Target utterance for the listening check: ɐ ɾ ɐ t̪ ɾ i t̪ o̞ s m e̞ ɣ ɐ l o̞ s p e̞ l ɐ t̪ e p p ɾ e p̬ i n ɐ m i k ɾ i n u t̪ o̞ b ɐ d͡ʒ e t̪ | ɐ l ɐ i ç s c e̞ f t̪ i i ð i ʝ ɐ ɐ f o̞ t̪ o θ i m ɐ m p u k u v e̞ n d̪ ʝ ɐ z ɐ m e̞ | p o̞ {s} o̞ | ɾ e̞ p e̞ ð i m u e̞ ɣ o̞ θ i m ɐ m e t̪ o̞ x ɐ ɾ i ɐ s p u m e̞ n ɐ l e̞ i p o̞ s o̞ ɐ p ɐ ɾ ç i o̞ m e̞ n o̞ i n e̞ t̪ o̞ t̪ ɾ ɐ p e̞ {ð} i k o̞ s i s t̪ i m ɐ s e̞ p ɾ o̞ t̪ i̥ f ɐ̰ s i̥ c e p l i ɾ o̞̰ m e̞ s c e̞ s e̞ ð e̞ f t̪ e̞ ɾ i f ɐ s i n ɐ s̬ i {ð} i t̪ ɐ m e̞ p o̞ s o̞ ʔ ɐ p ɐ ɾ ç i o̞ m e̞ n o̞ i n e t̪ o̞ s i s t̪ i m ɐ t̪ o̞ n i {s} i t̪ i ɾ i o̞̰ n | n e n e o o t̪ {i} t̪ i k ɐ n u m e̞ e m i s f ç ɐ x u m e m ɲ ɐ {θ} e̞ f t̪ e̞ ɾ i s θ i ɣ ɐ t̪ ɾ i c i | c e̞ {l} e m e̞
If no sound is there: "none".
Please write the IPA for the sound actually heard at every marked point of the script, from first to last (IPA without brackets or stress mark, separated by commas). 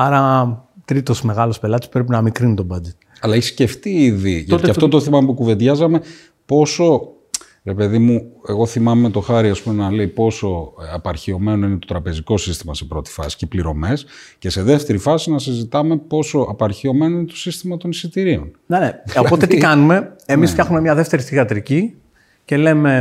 s, z, z, s, e, ð, l